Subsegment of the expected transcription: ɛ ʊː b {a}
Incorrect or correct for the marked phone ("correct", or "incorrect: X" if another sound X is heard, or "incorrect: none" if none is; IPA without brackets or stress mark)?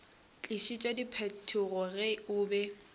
incorrect: ɛ